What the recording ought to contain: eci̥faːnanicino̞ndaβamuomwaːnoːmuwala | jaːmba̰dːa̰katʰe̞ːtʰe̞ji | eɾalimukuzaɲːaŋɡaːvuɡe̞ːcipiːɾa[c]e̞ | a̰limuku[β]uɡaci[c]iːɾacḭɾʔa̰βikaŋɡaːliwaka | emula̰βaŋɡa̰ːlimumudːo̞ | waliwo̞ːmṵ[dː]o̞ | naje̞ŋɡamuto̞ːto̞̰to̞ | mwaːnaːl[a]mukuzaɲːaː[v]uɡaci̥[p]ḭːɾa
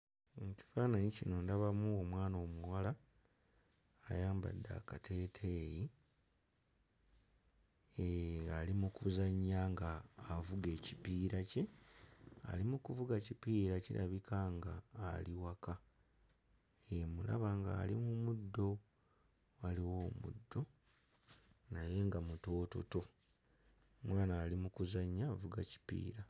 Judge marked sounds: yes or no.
yes, no, no, yes, no, yes, yes

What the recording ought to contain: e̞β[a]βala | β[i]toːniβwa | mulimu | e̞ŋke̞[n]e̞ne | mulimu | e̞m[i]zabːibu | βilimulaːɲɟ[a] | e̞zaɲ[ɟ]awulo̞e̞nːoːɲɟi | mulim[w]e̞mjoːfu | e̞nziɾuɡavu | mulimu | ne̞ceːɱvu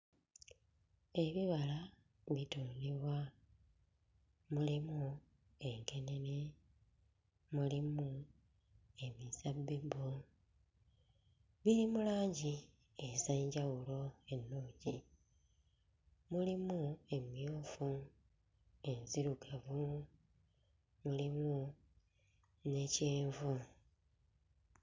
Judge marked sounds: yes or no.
no, yes, yes, yes, no, yes, no

